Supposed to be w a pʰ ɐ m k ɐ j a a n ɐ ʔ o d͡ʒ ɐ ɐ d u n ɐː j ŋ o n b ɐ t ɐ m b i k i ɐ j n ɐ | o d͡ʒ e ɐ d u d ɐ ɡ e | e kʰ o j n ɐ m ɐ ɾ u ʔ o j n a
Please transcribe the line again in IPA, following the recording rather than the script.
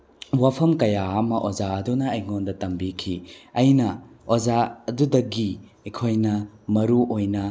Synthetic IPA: w a pʰ ɐ m k ɐ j a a m ɐ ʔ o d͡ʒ a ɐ d u n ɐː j ŋ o n d ɐ t ɐ m b i kʰ i ɐ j n ɐ | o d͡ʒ a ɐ d u d ɐ ɡ i | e kʰ o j n ɐ m ɐ ɾ u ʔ o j n ɐ